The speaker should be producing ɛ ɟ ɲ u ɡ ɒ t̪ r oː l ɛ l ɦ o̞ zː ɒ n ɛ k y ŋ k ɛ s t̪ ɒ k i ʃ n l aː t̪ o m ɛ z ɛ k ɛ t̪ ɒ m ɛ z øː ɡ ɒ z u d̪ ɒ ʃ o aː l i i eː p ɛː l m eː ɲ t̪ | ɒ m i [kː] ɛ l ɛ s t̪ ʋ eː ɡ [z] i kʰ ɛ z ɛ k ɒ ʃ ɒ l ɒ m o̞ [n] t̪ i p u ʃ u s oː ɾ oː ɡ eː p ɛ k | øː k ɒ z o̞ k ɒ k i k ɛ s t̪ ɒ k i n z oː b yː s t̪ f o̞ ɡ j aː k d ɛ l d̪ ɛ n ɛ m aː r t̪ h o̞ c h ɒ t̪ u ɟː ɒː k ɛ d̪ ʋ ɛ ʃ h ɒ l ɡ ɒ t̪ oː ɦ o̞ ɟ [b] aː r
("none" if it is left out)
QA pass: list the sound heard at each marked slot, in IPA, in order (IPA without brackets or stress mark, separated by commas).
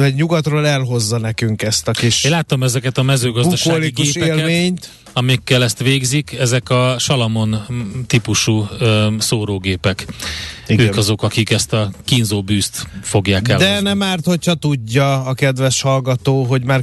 kː, z, n, m